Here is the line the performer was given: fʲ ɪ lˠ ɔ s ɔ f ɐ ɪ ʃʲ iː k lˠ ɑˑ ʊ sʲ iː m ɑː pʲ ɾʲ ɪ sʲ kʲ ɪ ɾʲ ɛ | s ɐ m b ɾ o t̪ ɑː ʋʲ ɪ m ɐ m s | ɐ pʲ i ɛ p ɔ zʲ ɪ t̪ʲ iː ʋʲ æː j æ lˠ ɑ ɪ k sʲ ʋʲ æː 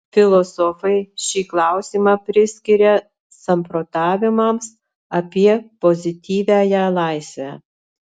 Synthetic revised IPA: fʲ ɪ lˠ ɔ s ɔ f ɐ ɪ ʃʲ iː k lˠ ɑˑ ʊ sʲ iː m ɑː pʲ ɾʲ ɪ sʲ kʲ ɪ ɾʲ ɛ | s ɐ m p ɾ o t̪ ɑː ʋʲ ɪ m ɐ m s | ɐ pʲ i ɛ p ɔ zʲ ɪ t̪ʲ iː ʋʲ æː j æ lˠ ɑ ɪ sʲ ʋʲ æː